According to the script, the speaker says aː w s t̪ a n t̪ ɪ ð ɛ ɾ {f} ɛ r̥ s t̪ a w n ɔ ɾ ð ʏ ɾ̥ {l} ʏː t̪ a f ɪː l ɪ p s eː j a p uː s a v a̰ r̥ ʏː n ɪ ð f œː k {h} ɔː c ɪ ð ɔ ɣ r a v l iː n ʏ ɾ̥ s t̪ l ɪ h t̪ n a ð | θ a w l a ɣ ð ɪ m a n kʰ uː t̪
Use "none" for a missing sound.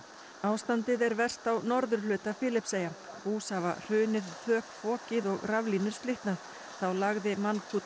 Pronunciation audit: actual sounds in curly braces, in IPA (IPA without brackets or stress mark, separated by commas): v, l, f